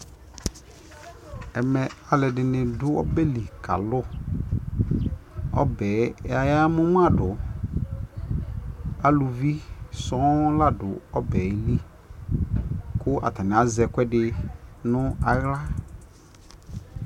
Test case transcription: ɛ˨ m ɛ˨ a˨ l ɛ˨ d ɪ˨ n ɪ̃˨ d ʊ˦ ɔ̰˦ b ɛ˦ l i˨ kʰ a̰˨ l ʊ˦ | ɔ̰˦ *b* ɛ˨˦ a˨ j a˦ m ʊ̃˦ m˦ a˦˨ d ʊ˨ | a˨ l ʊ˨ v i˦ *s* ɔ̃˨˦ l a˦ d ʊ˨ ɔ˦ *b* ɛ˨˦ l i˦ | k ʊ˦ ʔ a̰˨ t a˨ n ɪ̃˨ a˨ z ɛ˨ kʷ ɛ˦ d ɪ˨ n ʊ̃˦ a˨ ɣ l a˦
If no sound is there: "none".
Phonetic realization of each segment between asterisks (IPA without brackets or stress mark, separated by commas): b, s, b